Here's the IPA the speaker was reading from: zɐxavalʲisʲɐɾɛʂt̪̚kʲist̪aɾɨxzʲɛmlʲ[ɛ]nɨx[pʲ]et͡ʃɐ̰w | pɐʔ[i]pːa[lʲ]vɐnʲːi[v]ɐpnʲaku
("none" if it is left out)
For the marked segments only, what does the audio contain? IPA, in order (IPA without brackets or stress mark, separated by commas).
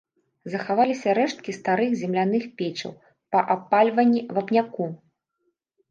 a, pʲ, a, lʲ, v